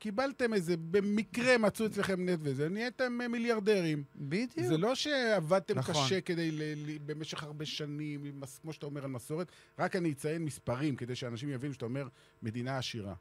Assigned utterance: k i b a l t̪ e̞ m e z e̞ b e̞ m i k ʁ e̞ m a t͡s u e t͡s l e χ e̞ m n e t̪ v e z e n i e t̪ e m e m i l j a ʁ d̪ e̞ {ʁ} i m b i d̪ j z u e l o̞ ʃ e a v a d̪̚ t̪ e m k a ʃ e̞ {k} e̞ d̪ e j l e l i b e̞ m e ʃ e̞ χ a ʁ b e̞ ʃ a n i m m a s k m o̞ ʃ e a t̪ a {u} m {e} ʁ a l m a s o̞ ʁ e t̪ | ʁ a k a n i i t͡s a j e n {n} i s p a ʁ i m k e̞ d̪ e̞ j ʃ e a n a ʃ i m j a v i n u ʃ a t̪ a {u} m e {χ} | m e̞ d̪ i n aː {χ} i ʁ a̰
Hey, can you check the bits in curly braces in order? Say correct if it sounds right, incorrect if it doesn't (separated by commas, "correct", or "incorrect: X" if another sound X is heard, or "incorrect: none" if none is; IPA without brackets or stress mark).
correct, correct, incorrect: o, correct, incorrect: m, incorrect: o, incorrect: ʁ, incorrect: ʃ